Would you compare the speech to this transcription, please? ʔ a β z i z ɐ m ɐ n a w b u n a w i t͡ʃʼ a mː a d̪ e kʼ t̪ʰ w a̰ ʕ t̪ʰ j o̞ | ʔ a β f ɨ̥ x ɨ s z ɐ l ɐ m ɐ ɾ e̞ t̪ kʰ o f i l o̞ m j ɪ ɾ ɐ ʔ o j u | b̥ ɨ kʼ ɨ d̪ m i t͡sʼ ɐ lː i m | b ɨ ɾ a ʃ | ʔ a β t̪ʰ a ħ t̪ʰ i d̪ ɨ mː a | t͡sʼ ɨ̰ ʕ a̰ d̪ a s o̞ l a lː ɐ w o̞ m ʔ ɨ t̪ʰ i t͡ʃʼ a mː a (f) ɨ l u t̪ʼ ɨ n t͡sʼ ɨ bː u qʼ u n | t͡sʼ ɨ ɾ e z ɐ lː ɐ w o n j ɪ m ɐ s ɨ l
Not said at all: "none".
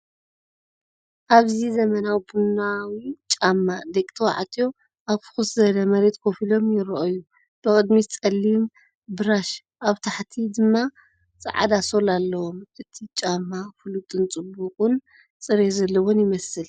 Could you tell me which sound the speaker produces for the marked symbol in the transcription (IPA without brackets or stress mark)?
f